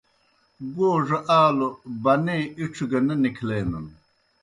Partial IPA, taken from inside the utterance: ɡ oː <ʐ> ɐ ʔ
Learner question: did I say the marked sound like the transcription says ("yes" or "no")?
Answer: yes